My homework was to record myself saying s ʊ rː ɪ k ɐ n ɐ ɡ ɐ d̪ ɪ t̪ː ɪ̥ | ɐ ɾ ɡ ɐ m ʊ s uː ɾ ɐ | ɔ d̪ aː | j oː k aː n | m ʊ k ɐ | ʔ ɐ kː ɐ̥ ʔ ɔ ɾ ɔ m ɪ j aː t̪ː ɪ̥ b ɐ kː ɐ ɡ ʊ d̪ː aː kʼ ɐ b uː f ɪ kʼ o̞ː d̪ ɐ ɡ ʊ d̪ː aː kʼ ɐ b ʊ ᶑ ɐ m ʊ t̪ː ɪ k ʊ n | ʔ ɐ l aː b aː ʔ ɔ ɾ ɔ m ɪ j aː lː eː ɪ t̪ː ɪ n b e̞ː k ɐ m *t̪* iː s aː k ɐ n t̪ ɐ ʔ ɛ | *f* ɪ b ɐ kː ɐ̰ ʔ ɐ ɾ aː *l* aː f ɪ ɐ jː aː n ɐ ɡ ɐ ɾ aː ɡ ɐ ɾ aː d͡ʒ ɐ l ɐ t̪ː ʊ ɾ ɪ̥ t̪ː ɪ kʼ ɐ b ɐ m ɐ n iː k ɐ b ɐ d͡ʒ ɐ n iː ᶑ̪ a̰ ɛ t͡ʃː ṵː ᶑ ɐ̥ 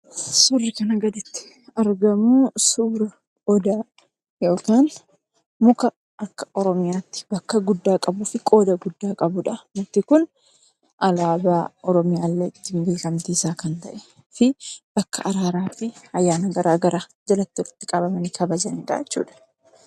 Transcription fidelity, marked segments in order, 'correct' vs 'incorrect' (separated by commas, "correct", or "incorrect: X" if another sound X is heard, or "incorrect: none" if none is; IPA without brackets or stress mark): correct, correct, incorrect: ɾ